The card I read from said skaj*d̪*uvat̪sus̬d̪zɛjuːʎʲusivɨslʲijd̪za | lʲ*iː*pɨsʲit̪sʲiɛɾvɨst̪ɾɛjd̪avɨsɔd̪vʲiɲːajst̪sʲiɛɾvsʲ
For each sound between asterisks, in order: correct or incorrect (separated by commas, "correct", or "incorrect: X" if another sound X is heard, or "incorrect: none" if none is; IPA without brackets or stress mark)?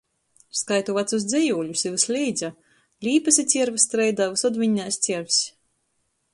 incorrect: t̪, correct